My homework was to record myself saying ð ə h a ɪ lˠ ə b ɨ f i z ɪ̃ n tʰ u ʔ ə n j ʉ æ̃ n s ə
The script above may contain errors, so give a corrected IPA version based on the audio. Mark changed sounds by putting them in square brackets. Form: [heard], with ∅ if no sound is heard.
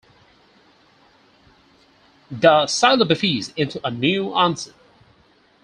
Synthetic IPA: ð ə [s] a ɪ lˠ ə b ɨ f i z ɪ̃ n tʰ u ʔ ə n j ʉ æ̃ n s ə